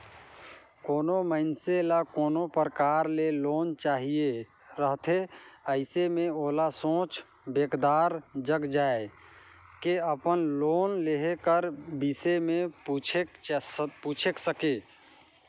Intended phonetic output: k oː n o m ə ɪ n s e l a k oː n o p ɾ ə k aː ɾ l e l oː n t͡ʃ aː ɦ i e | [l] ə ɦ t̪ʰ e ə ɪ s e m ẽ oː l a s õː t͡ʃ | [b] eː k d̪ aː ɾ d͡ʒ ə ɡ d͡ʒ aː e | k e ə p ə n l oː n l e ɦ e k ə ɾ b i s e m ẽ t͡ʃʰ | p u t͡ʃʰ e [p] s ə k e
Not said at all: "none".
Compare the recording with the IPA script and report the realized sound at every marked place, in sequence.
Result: ɾ, b, k

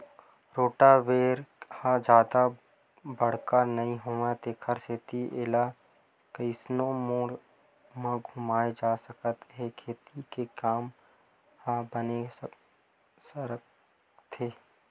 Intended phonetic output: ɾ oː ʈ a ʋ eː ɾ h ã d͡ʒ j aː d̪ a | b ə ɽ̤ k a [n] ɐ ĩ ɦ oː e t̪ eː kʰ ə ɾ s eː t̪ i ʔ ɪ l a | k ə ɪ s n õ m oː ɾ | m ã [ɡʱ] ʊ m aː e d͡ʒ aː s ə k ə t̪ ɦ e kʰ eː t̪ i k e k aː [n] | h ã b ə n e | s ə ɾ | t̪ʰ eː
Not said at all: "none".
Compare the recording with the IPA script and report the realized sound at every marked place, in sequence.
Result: n, ɡʱ, m

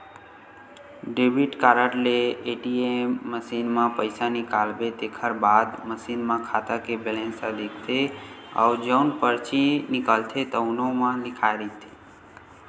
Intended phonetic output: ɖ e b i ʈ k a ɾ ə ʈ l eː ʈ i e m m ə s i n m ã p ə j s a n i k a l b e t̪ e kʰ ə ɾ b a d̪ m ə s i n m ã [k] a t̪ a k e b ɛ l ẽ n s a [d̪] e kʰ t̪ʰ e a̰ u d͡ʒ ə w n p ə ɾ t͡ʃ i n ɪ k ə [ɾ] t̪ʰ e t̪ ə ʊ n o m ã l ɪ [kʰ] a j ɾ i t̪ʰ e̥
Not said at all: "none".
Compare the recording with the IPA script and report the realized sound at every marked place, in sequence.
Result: kʰ, d̪, l, kʰ

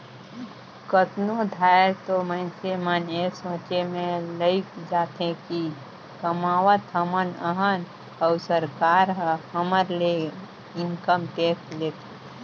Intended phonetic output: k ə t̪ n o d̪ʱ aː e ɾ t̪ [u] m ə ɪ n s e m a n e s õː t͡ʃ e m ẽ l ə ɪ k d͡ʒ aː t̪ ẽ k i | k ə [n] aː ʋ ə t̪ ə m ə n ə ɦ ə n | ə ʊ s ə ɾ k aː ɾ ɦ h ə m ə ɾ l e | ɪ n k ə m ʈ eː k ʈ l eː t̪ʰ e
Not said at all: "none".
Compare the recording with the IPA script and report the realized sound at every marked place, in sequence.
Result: o, m

